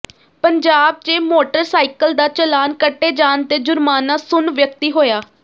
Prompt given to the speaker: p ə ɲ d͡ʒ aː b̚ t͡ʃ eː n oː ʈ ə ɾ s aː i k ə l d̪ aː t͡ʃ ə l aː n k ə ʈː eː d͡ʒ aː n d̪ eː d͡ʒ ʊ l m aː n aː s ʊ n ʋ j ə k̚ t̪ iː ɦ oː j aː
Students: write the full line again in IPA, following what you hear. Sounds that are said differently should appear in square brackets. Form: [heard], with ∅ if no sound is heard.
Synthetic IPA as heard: p ə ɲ d͡ʒ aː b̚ t͡ʃ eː [m] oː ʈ ə ɾ s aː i k ə l d̪ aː t͡ʃ ə l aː n k ə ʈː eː d͡ʒ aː n [t̪] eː d͡ʒ ʊ [ɾ] m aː n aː s ʊ n ʋ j ə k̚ t̪ iː ɦ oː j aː